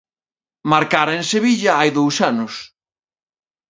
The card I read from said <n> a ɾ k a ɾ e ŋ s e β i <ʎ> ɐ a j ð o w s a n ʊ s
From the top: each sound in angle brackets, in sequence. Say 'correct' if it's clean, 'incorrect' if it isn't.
incorrect: m, correct

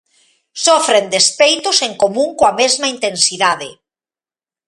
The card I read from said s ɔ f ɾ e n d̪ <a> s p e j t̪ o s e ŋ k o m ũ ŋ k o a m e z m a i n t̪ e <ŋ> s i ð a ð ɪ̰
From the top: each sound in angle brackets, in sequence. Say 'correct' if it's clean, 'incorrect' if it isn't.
incorrect: e, incorrect: n

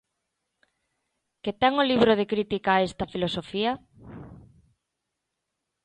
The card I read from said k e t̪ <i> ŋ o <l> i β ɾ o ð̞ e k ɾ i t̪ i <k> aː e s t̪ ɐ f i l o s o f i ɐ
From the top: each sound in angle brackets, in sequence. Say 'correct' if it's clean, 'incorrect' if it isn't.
incorrect: ɛ, correct, correct

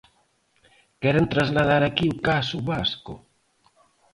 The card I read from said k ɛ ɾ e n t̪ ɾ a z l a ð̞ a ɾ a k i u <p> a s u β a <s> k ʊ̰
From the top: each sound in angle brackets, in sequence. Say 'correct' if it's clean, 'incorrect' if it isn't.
incorrect: k, correct

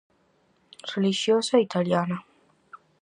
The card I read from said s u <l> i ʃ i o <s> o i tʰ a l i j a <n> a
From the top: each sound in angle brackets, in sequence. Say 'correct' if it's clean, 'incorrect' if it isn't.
correct, correct, correct

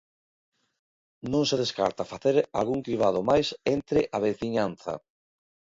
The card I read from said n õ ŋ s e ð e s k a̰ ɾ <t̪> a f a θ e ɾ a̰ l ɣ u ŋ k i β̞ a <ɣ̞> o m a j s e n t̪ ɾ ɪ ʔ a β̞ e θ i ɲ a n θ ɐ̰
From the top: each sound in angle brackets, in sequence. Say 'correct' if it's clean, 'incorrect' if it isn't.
correct, incorrect: ð̞

